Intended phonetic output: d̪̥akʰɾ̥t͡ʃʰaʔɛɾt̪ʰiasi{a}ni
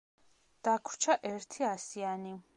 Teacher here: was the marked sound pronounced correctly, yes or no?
yes